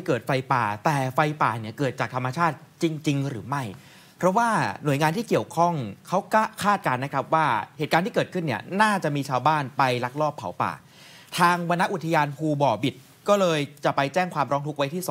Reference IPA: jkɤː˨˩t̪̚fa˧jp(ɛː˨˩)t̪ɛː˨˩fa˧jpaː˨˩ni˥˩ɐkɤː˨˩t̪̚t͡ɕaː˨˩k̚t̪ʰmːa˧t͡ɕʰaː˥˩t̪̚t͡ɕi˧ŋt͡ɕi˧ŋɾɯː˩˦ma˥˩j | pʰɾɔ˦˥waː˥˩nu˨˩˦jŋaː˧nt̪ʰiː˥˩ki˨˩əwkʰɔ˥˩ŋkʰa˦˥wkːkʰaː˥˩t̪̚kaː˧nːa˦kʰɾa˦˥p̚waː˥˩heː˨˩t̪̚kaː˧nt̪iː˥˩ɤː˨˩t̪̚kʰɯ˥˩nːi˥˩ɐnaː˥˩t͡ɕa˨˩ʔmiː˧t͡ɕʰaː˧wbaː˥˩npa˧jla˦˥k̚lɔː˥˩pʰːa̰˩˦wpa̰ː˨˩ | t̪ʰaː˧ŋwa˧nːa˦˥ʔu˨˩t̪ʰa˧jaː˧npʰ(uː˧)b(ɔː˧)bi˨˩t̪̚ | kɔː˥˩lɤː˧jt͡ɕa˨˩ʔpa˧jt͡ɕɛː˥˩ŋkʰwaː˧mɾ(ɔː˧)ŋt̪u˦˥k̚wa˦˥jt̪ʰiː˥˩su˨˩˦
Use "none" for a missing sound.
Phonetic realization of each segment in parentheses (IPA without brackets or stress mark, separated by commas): aː˨˩, uː˧, ɔː˨˩, ɔː˦˥